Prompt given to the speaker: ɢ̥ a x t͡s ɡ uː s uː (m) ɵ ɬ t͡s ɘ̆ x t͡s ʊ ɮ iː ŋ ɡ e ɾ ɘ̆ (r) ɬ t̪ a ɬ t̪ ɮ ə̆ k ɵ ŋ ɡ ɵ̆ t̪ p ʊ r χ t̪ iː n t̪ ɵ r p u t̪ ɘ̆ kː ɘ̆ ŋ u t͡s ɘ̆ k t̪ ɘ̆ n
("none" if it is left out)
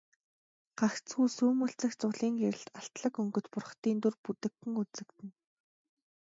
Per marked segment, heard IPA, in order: m, none

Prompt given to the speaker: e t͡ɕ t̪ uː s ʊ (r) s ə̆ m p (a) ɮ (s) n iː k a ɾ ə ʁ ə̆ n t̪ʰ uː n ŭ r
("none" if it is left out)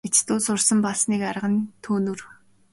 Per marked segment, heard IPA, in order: r, a, s

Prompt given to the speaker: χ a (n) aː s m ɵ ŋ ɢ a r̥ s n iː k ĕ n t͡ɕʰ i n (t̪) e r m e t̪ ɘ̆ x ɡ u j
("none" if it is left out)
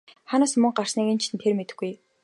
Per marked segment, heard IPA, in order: n, t̪ʰ

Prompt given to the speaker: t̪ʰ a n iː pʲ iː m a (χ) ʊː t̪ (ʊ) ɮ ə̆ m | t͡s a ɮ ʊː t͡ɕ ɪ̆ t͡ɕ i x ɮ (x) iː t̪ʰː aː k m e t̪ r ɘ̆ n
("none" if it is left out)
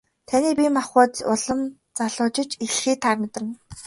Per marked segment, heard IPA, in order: χ, ʊ, x

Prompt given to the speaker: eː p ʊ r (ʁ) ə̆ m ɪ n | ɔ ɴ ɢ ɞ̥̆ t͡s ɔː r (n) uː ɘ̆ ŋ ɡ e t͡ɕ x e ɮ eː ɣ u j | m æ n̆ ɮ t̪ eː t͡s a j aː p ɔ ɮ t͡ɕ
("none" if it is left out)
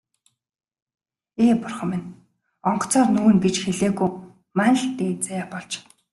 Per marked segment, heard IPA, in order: χ, n

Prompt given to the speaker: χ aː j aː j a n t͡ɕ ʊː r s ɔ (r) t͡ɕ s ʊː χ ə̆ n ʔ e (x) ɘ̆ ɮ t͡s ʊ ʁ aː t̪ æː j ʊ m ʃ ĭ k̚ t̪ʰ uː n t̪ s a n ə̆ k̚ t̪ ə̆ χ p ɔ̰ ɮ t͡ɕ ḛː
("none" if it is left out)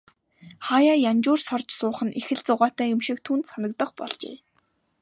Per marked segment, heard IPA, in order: r, x

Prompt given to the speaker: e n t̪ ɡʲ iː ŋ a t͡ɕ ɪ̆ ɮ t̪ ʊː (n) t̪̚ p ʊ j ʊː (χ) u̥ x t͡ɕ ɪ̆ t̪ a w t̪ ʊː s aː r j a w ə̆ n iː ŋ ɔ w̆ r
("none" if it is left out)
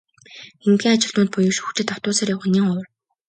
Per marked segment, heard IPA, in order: n, ʃ

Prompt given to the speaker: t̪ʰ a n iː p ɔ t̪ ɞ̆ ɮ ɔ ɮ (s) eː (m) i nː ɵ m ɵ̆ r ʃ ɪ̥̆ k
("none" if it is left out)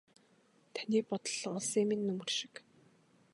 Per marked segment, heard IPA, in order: s, m

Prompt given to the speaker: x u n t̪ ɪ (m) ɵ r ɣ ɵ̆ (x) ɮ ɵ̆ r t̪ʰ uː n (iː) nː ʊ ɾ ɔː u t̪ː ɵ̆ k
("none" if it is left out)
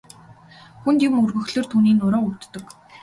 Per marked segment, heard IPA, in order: m, x, iː

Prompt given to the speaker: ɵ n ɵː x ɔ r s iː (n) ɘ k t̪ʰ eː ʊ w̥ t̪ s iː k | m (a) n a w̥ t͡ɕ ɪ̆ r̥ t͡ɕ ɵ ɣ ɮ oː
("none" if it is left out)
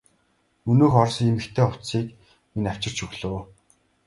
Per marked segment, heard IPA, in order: m, i

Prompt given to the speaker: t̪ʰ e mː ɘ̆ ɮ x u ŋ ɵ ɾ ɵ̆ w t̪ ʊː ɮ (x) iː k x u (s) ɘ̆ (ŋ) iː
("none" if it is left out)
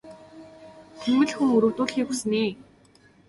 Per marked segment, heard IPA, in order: x, s, n

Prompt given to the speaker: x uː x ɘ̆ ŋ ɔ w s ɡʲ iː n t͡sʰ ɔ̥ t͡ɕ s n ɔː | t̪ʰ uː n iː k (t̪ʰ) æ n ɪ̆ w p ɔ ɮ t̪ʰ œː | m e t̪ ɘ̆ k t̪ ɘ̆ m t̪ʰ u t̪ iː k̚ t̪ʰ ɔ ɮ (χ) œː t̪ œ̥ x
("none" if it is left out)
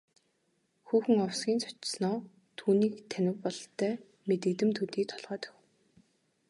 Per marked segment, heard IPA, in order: t̪ʰ, ʁ

